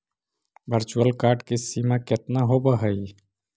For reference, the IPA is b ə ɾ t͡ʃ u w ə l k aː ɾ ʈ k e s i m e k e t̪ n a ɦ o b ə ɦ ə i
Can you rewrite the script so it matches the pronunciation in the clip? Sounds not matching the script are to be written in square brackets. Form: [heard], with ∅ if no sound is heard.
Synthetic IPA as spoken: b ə ɾ t͡ʃ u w ə l k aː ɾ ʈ k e s i m [a] k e t̪ n a ɦ o b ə ɦ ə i